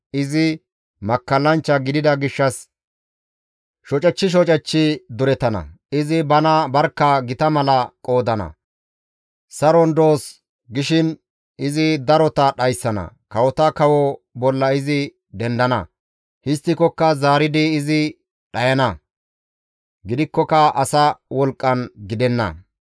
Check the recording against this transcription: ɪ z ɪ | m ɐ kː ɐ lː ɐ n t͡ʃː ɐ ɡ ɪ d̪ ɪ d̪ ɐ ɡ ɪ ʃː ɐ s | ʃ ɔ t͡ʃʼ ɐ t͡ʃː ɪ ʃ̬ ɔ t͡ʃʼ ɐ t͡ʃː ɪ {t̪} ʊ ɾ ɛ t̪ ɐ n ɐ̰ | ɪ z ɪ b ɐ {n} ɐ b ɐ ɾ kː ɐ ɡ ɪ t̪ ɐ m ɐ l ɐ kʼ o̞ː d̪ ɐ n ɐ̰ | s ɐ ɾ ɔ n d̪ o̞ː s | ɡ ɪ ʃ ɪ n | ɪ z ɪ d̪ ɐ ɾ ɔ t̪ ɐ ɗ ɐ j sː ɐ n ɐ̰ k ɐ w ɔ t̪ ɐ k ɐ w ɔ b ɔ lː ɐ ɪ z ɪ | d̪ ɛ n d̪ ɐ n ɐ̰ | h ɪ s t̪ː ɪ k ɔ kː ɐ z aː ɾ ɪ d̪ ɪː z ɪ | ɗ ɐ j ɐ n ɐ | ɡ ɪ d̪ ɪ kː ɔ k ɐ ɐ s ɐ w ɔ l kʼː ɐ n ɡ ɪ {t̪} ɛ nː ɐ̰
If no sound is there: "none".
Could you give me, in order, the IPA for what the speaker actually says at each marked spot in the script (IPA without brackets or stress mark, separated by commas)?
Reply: d̪, n, d̪